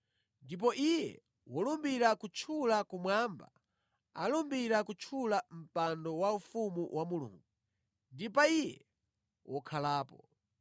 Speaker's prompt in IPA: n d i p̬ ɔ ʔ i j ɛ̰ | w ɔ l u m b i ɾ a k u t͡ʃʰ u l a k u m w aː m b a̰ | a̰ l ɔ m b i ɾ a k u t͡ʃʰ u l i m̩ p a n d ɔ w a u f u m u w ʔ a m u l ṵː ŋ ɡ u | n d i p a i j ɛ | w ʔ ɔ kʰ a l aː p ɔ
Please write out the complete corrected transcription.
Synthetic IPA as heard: n d i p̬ ɔ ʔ i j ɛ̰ | w ɔ l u m b i ɾ a k u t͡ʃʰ u l a k u m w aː m b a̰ | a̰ l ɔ m b i ɾ a k u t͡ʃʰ u l a m̩ p a n d ɔ w a u f u m u w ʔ a m u l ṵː ŋ ɡ u | n d i p a i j ɛ | w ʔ ɔ kʰ a l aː p ɔ